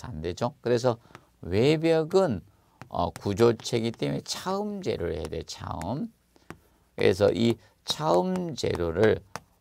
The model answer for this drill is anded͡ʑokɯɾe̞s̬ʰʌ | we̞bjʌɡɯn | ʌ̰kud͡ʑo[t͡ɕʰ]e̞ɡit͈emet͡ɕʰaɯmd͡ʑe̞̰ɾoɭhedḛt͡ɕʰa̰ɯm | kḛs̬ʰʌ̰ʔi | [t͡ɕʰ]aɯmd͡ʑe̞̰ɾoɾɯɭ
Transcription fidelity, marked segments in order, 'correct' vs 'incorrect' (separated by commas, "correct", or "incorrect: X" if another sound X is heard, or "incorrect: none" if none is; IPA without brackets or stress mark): correct, correct